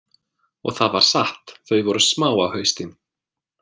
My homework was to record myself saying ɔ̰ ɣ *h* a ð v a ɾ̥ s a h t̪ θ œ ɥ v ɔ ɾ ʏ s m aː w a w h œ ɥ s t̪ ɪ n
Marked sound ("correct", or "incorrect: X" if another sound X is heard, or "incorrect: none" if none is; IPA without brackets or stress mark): incorrect: θ